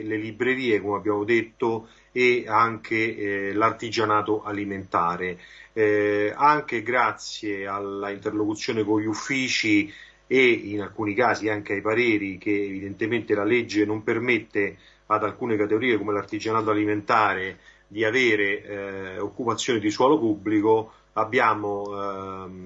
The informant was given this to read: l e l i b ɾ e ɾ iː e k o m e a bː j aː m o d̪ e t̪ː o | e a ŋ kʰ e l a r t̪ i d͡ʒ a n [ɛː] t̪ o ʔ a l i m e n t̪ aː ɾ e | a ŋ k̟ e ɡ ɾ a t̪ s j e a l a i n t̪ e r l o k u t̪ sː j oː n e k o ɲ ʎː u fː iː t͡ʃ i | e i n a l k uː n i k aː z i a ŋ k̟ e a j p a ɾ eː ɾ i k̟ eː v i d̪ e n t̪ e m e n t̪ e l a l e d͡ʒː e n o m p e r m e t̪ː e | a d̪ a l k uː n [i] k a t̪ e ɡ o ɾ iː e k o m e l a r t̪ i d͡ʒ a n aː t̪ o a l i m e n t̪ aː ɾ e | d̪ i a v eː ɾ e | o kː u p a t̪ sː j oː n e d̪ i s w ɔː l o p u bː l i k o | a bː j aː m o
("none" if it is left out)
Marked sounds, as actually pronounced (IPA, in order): aː, e

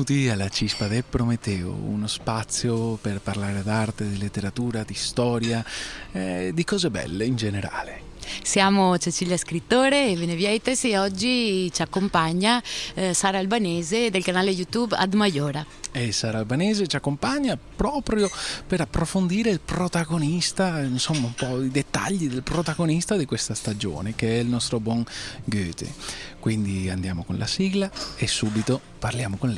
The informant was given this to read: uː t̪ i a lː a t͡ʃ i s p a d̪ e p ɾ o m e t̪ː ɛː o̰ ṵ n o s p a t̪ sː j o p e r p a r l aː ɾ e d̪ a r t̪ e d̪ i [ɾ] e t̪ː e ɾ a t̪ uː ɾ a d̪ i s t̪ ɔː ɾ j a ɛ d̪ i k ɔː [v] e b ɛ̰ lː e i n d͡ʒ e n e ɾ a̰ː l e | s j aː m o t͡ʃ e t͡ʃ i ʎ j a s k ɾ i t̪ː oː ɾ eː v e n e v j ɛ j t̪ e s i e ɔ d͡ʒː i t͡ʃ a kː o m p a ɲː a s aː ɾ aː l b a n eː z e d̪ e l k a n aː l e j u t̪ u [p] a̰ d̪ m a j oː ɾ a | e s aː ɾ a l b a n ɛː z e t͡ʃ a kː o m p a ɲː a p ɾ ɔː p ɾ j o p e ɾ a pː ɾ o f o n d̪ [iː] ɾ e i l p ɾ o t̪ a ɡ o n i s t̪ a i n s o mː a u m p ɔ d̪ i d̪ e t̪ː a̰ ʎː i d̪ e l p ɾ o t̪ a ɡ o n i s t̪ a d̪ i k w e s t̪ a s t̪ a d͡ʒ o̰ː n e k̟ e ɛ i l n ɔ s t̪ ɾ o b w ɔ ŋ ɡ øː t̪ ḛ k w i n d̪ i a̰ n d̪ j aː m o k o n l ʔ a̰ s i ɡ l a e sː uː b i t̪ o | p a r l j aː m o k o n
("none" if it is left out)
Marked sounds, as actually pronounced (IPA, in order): l, z, b, iː

